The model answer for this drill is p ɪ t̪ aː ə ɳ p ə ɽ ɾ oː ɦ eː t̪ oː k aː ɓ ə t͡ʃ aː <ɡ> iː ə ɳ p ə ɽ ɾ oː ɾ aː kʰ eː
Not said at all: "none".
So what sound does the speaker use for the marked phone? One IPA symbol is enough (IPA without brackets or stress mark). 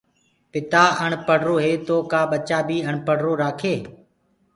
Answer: b